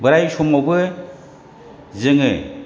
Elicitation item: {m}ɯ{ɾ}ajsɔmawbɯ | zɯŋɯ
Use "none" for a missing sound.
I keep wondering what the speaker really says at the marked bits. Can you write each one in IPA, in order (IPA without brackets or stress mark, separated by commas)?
b, ɾ